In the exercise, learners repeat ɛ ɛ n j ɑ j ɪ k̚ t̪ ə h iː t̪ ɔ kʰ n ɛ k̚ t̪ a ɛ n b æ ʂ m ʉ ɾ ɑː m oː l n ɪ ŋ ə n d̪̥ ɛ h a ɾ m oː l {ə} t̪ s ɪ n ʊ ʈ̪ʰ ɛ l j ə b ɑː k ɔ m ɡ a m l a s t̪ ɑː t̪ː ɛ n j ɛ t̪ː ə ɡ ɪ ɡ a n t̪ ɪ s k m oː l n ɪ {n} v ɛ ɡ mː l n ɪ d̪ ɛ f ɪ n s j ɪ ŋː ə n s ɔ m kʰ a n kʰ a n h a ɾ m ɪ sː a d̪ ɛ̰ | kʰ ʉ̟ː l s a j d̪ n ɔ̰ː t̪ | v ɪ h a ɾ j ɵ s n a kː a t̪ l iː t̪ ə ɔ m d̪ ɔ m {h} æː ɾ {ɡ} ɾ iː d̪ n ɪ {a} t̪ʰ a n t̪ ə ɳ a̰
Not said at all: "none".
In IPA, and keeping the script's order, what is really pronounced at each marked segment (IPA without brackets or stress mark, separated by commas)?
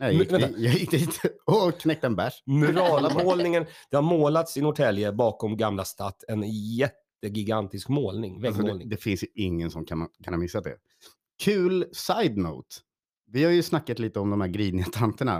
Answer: a, ŋ, h, ɡ, a